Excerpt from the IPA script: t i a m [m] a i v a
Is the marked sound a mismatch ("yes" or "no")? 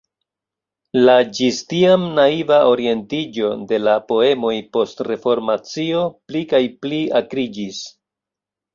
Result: yes